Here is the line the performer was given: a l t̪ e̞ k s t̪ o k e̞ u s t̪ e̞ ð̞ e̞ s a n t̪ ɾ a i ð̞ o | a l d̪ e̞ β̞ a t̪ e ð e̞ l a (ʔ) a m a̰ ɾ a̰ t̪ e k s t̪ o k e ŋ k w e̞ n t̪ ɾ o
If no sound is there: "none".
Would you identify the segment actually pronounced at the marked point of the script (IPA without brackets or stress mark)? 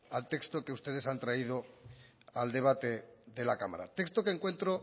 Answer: k